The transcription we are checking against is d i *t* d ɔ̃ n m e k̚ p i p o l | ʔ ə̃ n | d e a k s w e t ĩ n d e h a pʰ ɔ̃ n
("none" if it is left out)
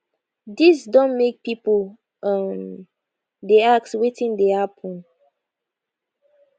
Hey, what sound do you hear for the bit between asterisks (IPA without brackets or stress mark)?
s